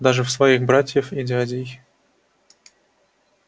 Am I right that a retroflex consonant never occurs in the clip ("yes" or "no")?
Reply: no